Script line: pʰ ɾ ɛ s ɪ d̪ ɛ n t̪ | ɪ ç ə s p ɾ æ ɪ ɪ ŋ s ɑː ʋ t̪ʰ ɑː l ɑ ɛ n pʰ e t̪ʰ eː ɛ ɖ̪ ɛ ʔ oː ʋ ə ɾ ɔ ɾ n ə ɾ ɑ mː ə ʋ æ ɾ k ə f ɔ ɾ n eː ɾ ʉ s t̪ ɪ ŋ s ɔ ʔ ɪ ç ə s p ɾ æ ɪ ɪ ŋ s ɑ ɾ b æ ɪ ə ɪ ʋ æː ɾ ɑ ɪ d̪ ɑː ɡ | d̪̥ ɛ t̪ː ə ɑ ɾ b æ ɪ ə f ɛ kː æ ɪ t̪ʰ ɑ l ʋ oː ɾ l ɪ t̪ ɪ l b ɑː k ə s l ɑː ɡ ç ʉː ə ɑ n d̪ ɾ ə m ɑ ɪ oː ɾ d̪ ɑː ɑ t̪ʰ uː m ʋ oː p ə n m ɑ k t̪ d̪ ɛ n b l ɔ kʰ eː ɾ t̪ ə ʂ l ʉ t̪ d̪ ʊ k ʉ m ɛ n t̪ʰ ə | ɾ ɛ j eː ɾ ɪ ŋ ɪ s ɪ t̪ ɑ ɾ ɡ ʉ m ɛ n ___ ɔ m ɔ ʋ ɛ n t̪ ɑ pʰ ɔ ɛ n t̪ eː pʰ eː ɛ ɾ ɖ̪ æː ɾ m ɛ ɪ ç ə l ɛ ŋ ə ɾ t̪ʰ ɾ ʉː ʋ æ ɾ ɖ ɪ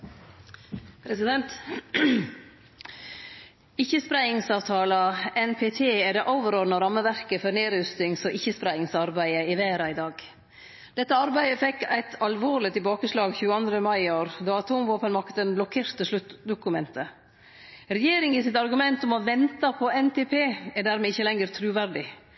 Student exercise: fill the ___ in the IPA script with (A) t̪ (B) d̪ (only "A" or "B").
A